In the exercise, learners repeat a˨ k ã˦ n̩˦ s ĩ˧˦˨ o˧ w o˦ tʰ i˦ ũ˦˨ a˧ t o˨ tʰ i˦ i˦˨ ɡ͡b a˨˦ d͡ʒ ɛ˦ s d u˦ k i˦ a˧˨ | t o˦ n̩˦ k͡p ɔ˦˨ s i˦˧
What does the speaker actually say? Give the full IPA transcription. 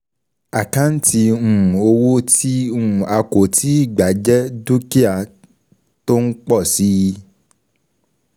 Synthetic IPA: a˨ k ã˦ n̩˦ t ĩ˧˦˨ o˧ w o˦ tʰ i˦ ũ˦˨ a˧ k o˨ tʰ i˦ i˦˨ ɡ͡b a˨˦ d͡ʒ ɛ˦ d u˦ k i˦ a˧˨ | t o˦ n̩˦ k͡p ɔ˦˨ s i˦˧